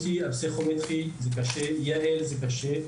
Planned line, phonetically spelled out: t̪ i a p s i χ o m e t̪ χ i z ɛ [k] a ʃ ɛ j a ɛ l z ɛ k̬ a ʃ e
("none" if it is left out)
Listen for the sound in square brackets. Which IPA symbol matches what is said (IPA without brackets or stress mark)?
k